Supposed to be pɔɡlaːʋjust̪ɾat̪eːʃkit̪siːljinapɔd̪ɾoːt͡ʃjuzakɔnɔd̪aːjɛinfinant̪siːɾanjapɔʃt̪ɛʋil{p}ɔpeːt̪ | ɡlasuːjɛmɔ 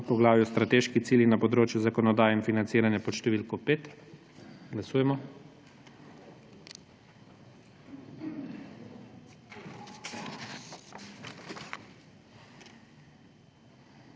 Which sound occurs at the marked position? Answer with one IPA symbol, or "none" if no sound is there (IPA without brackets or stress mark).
k